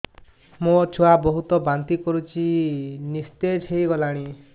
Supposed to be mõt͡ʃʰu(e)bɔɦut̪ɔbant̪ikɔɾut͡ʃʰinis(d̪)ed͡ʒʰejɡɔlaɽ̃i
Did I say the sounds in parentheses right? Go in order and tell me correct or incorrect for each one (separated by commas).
incorrect, incorrect